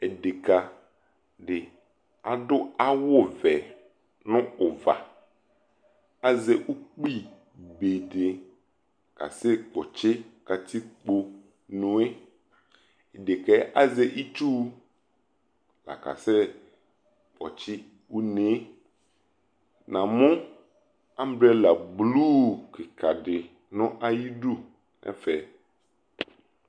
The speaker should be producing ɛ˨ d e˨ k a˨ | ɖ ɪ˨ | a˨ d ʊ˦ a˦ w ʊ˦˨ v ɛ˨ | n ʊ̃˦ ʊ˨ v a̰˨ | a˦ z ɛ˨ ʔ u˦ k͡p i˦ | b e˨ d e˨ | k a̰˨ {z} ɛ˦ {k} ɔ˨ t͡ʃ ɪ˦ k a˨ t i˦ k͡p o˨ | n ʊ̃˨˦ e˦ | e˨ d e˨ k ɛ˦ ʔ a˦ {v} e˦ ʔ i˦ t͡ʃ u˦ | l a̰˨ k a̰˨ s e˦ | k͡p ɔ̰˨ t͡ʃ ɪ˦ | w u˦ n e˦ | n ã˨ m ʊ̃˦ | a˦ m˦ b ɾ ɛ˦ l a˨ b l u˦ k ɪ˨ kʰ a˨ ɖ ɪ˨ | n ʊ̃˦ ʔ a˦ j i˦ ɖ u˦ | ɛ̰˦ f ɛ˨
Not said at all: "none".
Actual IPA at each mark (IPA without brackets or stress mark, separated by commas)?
s, k͡p, z